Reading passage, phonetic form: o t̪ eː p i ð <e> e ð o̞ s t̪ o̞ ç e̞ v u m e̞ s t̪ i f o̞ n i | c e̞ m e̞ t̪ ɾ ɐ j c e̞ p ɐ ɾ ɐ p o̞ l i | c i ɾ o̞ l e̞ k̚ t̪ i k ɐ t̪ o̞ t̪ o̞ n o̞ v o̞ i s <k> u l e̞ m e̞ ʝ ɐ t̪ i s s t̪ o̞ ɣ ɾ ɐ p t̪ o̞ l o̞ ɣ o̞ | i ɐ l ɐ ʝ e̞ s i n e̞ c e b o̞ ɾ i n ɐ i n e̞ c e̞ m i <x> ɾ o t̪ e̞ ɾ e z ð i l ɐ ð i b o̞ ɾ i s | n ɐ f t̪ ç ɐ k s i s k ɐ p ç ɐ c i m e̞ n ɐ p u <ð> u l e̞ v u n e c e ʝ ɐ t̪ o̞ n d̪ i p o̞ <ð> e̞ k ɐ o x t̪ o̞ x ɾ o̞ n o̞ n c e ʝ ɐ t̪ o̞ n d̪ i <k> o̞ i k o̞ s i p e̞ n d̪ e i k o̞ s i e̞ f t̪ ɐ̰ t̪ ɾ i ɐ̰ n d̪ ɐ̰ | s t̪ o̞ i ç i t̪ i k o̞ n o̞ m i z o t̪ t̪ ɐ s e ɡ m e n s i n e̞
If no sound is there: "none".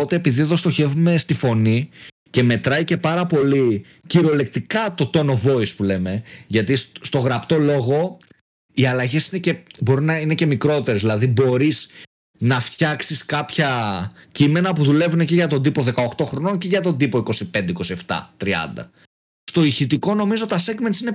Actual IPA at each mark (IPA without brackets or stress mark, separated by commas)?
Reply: i, p, k, ð, ð, p